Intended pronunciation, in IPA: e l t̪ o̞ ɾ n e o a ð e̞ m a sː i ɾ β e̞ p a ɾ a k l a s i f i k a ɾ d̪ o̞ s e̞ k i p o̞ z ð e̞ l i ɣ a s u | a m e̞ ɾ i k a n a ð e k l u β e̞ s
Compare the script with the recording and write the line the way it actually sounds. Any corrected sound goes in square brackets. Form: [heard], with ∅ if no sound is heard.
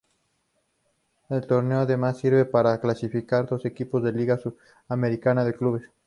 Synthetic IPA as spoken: e l t̪ o̞ ɾ n e o a ð e̞ m a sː i ɾ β e̞ p a ɾ a k l a s i f i k a ɾ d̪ o̞ s e̞ k i p o̞ z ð e̞ l i ɣ a s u | a m e̞ ɾ i k a n a ð e k l u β e̞ s

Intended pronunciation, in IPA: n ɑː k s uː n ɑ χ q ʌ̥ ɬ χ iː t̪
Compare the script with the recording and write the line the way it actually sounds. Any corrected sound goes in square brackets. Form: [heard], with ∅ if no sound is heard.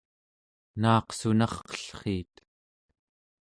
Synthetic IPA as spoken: n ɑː [q] s [u] n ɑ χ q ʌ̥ ɬ χ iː t̪

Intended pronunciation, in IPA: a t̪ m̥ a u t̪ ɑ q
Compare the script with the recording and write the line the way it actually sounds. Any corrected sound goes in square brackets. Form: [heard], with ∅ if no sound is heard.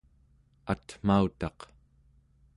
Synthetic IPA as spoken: a t̪ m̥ a u t̪ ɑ q

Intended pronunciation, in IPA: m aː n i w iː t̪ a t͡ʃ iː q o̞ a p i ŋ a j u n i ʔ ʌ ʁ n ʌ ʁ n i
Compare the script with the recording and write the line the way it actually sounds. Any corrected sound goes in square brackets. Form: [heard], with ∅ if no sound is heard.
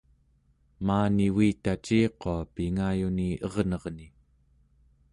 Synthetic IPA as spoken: m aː n i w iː t̪ a t͡ʃ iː q o̞ a p i ŋ a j u n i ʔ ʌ ʁ n ʌ ʁ n i

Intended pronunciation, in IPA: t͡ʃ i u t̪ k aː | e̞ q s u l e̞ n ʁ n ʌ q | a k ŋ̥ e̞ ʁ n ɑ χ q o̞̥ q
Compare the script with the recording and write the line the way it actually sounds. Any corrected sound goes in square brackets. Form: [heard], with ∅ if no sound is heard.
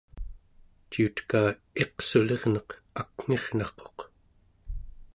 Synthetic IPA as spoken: t͡ʃ i u t̪ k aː | e̞ q s u l e̞ [∅] ʁ n ʌ q | a k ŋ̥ e̞ ʁ n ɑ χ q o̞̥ q

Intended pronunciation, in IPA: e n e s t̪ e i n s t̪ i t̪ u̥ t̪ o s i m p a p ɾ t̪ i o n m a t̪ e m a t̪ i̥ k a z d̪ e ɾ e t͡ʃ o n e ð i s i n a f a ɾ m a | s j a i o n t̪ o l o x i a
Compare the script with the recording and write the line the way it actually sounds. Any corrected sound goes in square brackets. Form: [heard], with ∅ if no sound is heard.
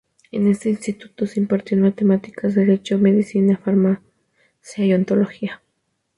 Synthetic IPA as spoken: e n e s t̪ e i n s t̪ i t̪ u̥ t̪ o s i m p a [∅] ɾ t̪ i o n m a t̪ e m a t̪ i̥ k a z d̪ e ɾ e t͡ʃ o [m] e ð i s i n a f a ɾ m a | s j a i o n t̪ o l o x i a

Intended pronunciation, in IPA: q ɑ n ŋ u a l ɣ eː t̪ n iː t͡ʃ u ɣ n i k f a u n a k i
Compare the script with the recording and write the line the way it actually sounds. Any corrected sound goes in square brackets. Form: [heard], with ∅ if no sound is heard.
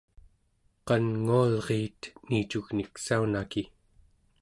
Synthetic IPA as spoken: q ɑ n ŋ u a l [ʁ] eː t̪ n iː t͡ʃ u ɣ n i k [s] a u n a k i

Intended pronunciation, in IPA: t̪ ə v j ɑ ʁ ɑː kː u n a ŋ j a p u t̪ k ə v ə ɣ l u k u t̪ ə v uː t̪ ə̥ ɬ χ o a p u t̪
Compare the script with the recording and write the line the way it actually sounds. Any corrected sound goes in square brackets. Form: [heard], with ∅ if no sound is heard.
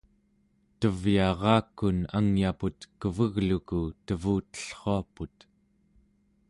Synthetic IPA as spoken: t̪ ə v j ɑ ʁ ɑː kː u n a ŋ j a p u t̪ k ə v ə ɣ l u k u t̪ ə v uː t̪ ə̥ ɬ χ o a p u t̪

